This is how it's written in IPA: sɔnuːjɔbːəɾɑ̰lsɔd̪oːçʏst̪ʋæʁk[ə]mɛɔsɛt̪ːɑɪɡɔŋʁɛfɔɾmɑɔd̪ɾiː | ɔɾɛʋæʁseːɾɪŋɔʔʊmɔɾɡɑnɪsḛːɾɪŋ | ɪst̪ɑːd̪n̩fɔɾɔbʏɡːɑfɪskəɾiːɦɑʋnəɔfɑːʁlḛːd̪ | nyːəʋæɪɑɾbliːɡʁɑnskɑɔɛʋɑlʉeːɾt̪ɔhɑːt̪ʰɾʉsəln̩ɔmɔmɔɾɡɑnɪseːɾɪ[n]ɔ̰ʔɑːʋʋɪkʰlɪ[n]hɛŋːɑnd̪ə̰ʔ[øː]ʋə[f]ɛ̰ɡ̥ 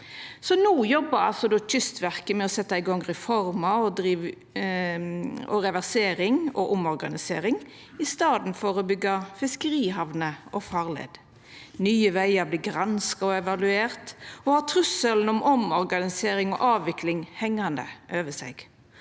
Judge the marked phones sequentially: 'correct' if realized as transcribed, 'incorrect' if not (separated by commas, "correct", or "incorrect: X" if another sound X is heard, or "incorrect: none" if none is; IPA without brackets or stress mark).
correct, incorrect: ŋ, incorrect: ŋ, correct, incorrect: s